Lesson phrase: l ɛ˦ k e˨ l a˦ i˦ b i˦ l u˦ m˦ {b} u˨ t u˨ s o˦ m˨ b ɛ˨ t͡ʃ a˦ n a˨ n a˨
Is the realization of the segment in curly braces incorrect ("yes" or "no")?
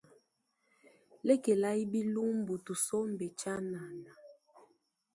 no